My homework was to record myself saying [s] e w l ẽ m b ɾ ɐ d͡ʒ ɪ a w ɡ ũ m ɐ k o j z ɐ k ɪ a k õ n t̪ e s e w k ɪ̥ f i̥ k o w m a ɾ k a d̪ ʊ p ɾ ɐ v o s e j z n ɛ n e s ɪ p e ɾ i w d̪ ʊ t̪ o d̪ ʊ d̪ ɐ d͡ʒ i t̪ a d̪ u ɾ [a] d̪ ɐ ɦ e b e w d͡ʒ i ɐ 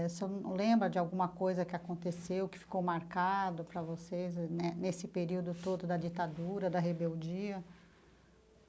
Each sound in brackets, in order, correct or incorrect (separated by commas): correct, incorrect